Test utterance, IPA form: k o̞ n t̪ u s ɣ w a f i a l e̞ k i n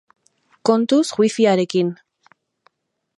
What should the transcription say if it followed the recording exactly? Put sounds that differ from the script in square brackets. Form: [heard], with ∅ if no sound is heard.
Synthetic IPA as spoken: k o̞ n t̪ u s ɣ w [i] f i a [ɾ] e̞ k i n